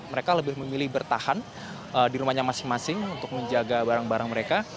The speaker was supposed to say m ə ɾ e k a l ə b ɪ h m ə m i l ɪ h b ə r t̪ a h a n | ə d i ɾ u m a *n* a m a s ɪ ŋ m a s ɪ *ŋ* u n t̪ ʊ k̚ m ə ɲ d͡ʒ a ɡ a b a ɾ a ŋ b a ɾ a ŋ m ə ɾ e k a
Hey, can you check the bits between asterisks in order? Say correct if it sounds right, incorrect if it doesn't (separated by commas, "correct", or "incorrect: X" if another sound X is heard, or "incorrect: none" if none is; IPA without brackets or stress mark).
incorrect: ɲ, correct